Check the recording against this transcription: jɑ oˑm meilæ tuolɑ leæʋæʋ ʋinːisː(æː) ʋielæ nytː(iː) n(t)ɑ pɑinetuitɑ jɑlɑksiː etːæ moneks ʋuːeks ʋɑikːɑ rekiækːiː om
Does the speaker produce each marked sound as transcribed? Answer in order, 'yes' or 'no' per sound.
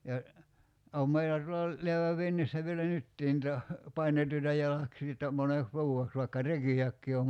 no, yes, yes

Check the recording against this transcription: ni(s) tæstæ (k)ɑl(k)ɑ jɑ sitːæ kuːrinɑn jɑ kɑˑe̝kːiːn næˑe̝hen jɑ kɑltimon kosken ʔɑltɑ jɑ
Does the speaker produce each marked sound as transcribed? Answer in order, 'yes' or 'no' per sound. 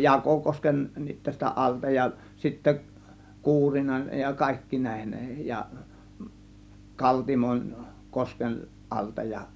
no, no, no

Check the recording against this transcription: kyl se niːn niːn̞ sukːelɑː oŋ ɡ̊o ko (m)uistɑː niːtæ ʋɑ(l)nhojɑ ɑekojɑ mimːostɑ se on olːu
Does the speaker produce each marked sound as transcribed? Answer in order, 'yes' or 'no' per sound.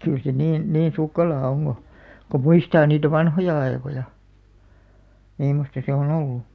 yes, no

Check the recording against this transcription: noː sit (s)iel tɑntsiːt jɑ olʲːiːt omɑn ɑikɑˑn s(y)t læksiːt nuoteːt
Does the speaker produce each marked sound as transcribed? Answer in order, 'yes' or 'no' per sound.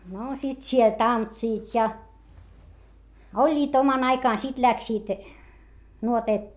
yes, no

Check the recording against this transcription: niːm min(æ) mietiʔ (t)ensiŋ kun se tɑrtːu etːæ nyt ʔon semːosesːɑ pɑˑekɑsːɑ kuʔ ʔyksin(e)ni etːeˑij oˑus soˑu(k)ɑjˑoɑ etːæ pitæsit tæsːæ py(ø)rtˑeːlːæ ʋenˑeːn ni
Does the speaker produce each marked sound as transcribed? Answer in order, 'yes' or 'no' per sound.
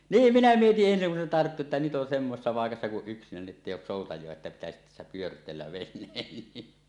yes, no, no, no, yes

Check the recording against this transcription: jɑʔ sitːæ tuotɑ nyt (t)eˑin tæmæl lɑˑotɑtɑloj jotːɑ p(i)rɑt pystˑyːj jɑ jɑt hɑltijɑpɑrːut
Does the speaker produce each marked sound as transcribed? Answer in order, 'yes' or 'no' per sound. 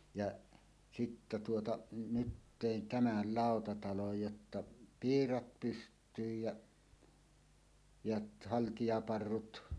yes, no

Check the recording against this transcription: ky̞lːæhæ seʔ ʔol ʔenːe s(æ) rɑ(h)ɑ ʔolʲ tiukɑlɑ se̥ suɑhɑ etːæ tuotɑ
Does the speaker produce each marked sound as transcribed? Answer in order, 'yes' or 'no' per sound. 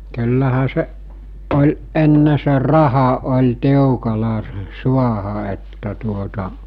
no, yes

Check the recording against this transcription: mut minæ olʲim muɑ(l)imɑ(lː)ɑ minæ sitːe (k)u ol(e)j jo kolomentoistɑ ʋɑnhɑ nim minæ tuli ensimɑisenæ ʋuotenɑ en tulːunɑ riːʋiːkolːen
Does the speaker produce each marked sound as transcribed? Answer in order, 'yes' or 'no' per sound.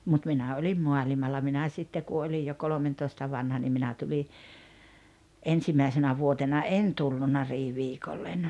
yes, yes, yes, no

